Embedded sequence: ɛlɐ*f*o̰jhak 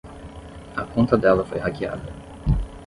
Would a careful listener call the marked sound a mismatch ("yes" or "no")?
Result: no